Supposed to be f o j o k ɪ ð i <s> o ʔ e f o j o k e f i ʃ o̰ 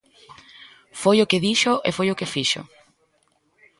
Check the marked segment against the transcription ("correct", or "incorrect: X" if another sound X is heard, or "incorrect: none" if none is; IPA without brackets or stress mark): incorrect: ʃ